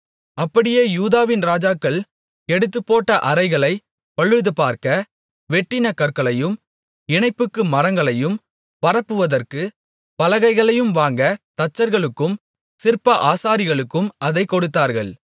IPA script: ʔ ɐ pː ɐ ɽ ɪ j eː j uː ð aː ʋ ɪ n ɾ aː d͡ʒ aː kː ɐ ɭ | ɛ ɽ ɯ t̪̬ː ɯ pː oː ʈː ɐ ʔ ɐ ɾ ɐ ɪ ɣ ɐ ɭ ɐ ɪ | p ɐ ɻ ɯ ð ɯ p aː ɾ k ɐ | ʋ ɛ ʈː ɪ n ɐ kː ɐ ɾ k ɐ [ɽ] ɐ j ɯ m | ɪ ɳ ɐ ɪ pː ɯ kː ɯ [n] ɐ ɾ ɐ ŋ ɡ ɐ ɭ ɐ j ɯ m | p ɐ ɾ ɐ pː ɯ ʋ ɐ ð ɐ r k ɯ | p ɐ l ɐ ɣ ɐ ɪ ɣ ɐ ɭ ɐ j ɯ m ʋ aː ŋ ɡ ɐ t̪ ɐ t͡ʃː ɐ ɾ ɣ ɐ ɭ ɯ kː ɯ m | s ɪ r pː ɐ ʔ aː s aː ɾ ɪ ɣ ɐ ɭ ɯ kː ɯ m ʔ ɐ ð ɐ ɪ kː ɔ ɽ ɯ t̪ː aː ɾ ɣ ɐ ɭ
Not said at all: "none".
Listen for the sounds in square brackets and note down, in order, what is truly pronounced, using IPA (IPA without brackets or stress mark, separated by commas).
ɭ, m